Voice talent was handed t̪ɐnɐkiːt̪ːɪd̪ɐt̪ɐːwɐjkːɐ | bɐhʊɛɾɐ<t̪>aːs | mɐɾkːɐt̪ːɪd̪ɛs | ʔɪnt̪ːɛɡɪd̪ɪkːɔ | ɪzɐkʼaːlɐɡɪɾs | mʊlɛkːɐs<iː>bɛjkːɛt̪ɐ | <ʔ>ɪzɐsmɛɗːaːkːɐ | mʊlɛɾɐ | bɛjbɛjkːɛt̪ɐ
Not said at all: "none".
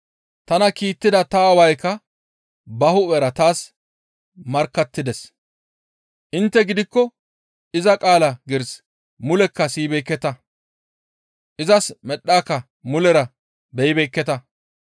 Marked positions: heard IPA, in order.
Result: t̪, iː, ʔ

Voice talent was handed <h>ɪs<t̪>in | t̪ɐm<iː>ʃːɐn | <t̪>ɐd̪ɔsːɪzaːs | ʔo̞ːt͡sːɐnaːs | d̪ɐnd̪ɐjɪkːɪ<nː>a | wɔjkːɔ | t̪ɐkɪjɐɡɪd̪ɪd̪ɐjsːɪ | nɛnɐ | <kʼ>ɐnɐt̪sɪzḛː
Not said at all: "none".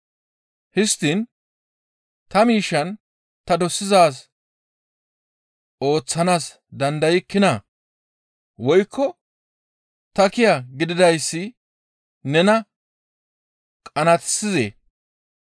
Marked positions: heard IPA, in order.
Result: h, t̪, iː, t̪, n, kʼ

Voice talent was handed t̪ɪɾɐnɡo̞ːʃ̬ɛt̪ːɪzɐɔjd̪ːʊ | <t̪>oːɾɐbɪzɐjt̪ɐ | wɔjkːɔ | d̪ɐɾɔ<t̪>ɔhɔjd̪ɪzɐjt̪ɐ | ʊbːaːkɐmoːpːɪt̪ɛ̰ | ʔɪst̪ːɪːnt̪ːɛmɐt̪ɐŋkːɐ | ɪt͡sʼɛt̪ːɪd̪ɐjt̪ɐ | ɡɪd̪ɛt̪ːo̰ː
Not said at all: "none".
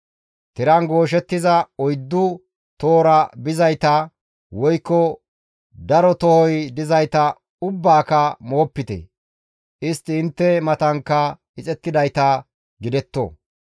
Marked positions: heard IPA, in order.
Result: t̪, t̪

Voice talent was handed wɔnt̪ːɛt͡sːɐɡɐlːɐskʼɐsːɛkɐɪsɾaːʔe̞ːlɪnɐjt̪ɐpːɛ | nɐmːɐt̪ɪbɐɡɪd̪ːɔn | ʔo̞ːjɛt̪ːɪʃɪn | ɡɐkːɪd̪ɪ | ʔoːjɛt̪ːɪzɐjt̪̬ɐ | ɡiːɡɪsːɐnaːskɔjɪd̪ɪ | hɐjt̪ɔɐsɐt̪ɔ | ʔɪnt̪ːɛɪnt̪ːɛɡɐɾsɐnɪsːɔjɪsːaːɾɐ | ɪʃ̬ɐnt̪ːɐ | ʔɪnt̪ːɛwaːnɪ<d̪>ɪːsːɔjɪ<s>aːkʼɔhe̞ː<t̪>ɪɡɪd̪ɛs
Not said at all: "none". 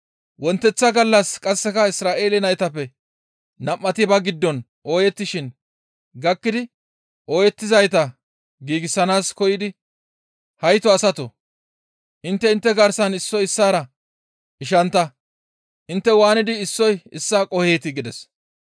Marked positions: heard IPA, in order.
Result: d̪, sː, t̪

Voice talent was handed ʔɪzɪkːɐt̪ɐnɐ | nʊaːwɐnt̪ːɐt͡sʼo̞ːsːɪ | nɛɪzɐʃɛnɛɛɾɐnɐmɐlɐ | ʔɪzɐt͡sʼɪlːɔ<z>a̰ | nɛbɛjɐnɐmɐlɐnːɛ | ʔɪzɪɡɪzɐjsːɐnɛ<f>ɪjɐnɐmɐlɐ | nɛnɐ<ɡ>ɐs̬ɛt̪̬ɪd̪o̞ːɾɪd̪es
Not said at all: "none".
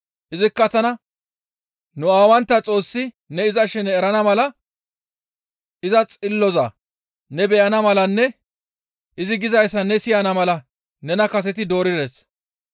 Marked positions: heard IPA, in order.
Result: z, s, k

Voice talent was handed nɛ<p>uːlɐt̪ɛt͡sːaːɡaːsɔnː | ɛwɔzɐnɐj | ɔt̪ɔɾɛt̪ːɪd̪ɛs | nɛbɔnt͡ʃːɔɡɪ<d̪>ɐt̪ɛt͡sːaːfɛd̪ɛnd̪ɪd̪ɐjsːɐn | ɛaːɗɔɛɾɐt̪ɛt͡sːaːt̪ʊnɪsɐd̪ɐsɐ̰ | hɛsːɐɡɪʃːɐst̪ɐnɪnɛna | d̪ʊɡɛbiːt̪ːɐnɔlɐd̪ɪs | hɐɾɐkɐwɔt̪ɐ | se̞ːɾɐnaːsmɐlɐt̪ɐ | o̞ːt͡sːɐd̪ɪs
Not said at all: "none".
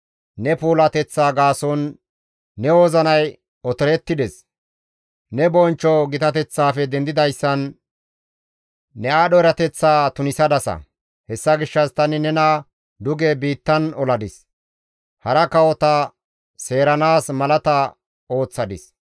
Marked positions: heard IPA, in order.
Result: p, t̪

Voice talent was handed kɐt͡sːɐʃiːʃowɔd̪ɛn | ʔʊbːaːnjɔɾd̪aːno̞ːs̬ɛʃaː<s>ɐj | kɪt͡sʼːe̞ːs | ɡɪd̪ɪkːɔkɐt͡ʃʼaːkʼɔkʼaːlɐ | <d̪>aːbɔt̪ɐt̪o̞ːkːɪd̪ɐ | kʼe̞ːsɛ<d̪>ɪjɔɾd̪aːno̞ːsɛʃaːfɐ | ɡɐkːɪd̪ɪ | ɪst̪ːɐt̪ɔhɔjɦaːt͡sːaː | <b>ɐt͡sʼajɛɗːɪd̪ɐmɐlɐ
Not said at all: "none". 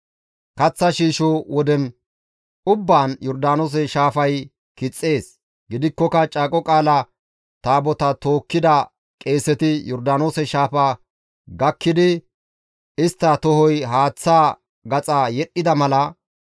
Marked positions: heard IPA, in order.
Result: f, t̪, t̪, ɡ

